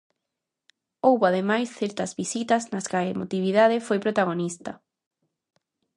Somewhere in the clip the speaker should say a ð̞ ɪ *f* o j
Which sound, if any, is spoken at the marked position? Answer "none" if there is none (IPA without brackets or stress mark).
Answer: f